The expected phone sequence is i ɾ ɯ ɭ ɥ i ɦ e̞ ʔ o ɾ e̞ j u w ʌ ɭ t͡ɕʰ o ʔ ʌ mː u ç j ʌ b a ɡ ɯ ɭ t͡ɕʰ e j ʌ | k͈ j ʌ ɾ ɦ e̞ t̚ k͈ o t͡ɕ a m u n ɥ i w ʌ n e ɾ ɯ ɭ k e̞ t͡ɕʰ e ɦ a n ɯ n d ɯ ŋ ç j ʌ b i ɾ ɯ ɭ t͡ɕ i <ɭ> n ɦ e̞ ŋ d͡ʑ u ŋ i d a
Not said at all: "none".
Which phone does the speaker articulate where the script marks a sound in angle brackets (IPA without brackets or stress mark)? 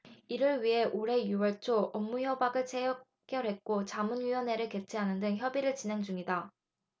none